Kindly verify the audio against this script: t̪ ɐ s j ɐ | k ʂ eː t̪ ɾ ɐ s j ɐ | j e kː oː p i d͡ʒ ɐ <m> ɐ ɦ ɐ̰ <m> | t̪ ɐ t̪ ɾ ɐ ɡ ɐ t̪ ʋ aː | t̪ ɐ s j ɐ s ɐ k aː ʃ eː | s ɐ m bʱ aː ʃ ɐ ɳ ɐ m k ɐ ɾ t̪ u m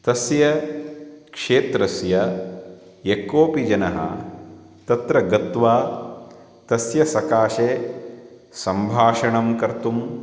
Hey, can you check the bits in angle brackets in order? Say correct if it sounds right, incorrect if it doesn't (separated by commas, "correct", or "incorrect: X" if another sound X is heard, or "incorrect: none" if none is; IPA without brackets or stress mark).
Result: incorrect: n, incorrect: none